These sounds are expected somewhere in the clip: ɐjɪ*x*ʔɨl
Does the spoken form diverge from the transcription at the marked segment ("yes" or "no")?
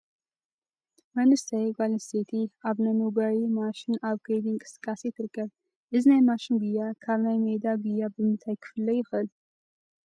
no